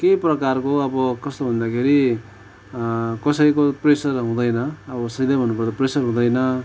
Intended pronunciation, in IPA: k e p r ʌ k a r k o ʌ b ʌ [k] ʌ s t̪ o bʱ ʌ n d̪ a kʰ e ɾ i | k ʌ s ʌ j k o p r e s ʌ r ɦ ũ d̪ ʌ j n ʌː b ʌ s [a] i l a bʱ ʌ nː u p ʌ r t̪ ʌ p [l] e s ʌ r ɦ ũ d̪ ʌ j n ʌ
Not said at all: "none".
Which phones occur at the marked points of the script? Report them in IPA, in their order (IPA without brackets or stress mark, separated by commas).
k, ʌ, r